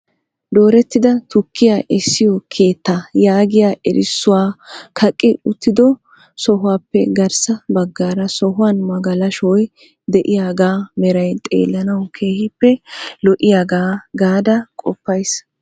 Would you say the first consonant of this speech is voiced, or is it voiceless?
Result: voiced